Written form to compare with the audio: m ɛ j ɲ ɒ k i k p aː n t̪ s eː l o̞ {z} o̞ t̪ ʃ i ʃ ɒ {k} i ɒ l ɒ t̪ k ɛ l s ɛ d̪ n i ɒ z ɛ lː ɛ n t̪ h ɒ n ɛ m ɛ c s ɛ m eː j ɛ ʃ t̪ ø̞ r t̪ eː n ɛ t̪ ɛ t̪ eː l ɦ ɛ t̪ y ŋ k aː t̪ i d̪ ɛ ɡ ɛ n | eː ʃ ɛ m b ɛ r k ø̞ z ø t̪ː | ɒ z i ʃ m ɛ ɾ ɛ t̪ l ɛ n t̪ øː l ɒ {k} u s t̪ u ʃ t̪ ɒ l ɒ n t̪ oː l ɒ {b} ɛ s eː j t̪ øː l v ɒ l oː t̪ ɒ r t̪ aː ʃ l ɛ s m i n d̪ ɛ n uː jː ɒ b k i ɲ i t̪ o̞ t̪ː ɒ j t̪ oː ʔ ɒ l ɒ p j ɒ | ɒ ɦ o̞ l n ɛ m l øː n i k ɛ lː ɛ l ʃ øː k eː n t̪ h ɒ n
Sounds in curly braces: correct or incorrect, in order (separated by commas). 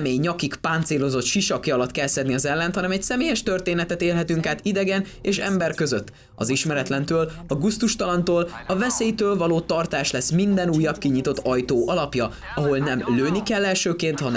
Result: correct, correct, incorrect, incorrect